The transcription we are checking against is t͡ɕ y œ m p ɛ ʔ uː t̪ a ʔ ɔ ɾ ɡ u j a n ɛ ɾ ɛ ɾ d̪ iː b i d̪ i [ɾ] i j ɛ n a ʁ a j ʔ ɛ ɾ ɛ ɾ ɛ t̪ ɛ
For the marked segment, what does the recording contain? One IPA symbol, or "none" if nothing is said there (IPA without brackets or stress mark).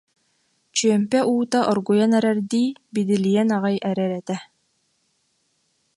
l